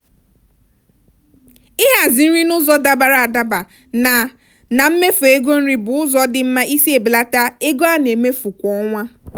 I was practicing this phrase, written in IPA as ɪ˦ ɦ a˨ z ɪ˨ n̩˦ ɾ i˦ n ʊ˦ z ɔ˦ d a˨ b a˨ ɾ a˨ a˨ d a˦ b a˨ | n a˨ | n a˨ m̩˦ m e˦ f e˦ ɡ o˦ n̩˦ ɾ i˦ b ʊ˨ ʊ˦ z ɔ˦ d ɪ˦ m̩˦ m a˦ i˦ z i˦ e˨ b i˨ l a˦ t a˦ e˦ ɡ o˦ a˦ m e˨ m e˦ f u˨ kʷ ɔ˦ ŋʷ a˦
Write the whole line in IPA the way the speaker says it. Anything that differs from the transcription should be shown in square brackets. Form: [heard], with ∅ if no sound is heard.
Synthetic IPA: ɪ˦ ɦ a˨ z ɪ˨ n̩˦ ɾ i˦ n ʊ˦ z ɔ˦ d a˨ b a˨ ɾ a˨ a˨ d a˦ b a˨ | n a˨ | n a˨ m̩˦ m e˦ f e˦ ɡ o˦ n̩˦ ɾ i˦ b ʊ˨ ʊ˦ z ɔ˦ d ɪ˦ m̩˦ m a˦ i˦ [s] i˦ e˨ b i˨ l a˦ t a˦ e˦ ɡ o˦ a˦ [n] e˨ m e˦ f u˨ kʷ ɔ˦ ŋʷ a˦